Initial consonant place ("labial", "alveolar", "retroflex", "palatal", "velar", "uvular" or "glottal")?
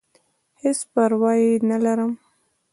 glottal